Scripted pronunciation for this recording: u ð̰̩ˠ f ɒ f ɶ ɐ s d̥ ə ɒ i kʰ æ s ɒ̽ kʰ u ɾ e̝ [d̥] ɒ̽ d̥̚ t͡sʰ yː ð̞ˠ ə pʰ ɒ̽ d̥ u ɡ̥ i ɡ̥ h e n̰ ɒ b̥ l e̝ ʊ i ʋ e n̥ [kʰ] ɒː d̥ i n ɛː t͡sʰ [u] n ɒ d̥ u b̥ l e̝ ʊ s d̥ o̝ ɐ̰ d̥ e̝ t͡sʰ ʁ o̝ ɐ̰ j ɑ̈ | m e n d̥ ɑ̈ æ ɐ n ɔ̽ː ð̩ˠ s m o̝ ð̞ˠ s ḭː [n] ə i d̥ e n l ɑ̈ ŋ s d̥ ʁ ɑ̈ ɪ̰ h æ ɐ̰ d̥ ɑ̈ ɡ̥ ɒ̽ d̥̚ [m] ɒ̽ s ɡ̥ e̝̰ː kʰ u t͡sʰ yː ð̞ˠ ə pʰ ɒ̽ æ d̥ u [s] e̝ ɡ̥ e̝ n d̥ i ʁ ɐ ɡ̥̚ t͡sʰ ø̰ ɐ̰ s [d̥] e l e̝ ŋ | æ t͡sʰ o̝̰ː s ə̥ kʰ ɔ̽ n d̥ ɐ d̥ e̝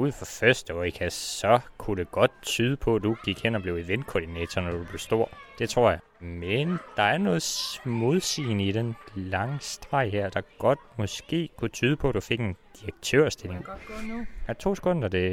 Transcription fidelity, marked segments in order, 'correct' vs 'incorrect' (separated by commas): incorrect, correct, incorrect, correct, correct, incorrect, correct